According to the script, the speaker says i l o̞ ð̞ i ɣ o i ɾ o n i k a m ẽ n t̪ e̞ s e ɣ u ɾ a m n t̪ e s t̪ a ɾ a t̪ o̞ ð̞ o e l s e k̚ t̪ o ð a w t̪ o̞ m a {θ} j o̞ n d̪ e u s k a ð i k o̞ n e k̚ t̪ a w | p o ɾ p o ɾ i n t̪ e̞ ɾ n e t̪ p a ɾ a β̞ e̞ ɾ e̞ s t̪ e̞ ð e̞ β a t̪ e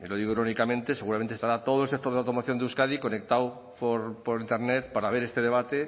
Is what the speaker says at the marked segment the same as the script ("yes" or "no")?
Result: yes